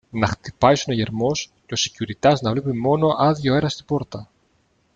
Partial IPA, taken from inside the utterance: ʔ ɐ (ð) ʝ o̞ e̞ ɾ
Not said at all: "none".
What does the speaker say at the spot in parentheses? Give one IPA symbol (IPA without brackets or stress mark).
ð